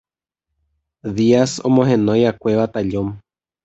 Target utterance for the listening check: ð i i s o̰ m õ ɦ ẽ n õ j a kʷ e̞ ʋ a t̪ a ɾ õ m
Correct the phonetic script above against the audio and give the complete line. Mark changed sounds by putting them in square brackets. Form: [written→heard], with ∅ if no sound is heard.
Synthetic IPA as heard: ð i [i→a] s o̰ m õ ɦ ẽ n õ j a kʷ e̞ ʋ a t̪ a [ɾ→ʎ] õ m